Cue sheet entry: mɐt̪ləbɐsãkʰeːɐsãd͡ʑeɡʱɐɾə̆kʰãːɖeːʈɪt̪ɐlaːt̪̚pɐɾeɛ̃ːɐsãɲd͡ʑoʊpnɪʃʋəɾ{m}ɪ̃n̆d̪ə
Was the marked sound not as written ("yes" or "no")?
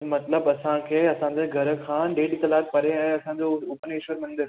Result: no